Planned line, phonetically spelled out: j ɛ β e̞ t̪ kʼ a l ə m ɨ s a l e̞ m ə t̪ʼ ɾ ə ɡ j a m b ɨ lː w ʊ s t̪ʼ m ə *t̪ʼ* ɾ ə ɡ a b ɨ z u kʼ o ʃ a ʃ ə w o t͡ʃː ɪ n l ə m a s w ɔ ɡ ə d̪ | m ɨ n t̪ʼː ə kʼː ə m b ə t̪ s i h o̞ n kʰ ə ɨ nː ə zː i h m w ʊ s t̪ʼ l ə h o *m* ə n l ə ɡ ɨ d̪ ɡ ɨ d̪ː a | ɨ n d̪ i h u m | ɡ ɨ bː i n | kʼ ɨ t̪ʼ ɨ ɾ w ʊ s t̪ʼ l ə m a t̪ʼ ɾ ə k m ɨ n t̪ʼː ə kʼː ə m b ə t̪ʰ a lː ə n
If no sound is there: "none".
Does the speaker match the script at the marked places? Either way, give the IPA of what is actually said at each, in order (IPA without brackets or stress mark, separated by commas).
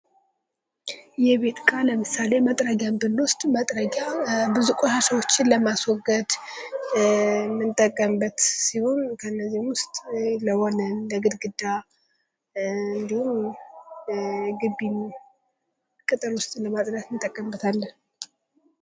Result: t̪ʼ, n